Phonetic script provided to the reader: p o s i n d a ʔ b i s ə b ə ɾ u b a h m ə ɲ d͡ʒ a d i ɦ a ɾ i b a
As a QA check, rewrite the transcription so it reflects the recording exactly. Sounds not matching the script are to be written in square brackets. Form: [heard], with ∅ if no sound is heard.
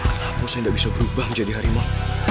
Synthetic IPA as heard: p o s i n d a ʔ b i s [a] b ə ɾ u b a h m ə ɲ d͡ʒ a d i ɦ a ɾ i [m] a